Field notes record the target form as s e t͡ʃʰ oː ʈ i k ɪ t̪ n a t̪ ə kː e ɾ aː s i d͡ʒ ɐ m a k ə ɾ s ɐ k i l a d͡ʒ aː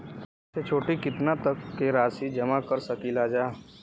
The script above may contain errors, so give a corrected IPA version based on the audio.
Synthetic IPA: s e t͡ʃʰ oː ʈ i k ɪ t̪ n a t̪ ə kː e ɾ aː s i d͡ʒ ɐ m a k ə ɾ s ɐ k i l a d͡ʒ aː